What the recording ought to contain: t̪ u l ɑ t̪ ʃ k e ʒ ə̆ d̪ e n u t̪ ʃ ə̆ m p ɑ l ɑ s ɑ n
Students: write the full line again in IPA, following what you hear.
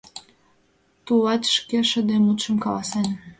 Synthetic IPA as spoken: t̪ u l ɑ t̪ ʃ k e ʃ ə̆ d̪ e m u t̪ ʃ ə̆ m k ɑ l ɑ s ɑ n